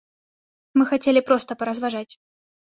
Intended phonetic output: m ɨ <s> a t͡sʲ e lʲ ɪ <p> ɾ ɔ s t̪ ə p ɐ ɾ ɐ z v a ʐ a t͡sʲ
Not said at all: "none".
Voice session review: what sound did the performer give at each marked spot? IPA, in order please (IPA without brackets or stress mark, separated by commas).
x, p